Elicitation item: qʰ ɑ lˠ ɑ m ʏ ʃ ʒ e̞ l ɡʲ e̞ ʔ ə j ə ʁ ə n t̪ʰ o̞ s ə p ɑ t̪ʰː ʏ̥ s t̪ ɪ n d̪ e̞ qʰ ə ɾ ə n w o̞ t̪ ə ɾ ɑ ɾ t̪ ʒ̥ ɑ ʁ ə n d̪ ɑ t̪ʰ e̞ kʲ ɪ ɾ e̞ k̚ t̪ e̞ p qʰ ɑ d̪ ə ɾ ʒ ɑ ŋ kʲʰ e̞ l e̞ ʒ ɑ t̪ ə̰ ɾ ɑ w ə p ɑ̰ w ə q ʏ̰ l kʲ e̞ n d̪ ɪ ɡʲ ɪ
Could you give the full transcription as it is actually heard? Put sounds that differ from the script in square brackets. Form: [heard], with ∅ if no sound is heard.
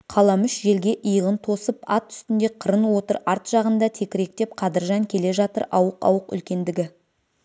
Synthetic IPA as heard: qʰ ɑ lˠ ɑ m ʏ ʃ ʒ e̞ l ɡʲ e̞ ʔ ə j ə ʁ ə n t̪ʰ o̞ s ə p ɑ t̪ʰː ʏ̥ s t̪ ɪ n d̪ e̞ qʰ ə ɾ ə n w o̞ t̪ ə ɾ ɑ ɾ t̪ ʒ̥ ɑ ʁ ə n d̪ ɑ t̪ʰ e̞ kʲ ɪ ɾ e̞ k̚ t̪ e̞ p qʰ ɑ d̪ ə ɾ ʒ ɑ ŋ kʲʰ e̞ l e̞ ʒ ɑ t̪ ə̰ ɾ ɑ w ə [q] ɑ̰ w ə q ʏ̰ l kʲ e̞ n d̪ ɪ ɡʲ ɪ